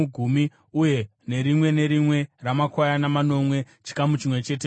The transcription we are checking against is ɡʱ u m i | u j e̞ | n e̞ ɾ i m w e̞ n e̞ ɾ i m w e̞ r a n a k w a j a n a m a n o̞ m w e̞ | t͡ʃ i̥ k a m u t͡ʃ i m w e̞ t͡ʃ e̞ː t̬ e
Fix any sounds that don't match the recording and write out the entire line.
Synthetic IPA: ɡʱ u m i | u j e̞ | n e̞ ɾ i m w e̞ n e̞ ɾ i m w e̞ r a m a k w a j a n a m a n o̞ m w e̞ | t͡ʃ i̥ k a m u t͡ʃ i m w e̞ t͡ʃ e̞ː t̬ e